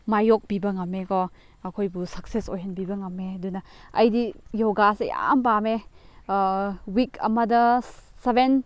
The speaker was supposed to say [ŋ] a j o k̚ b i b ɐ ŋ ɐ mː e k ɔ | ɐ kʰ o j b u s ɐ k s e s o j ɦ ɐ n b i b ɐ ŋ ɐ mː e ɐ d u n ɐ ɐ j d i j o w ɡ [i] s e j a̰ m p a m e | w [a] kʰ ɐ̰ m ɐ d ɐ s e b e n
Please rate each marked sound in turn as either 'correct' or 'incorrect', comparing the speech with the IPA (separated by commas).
incorrect, incorrect, incorrect